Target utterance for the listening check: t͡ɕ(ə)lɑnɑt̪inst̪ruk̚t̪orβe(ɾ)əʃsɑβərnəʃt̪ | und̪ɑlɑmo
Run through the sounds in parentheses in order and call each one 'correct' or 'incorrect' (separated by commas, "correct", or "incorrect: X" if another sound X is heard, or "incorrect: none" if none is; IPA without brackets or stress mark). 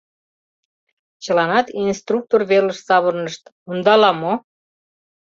correct, incorrect: l